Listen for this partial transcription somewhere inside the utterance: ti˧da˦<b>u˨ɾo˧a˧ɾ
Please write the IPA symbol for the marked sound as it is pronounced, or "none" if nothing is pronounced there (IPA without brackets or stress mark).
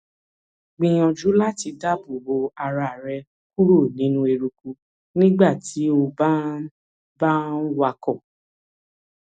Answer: b